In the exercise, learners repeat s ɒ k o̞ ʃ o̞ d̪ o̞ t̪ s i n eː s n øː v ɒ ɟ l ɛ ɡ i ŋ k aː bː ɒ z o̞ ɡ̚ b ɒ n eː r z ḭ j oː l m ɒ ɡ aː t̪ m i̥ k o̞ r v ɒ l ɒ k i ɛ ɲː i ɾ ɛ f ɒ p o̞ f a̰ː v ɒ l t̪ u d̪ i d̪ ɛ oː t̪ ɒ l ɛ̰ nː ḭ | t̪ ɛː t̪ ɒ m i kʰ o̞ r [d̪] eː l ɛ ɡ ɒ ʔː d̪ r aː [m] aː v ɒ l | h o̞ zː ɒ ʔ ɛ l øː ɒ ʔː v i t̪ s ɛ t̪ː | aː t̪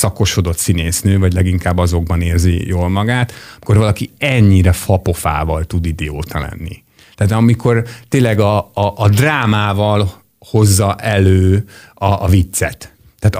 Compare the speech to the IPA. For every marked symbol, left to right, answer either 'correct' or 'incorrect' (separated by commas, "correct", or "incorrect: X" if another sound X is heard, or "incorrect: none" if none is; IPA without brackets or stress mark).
incorrect: t̪, correct